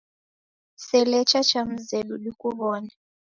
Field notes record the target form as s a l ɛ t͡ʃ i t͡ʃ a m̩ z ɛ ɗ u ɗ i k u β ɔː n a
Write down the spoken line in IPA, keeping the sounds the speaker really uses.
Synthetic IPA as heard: s ɛ l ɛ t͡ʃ a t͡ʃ a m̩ z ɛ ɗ u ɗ i k u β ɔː n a